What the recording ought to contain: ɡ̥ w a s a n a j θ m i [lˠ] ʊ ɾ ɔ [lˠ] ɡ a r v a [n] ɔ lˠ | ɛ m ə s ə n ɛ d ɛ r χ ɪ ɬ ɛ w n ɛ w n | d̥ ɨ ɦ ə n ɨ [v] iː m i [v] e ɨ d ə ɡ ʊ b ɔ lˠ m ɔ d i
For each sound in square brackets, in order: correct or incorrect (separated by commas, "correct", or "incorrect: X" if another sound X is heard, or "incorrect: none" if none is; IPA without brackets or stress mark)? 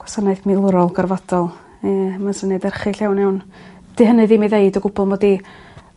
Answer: correct, correct, incorrect: d, incorrect: ð, incorrect: ð